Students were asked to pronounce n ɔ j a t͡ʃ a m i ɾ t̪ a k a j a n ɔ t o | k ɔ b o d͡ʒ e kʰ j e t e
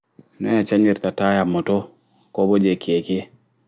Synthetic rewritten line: n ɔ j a t͡ʃ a ɲ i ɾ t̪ a t a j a m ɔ t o | k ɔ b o d͡ʒ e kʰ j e k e